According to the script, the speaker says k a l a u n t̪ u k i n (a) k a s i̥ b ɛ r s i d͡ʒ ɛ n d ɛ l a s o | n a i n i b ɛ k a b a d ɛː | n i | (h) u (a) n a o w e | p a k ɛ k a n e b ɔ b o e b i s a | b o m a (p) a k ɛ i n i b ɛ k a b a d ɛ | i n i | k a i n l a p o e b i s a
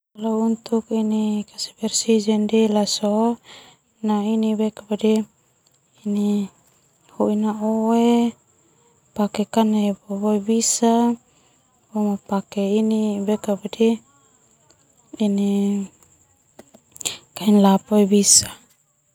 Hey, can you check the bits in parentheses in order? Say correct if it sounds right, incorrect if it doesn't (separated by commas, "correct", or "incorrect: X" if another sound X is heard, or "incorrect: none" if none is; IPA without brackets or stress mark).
incorrect: i, correct, incorrect: i, correct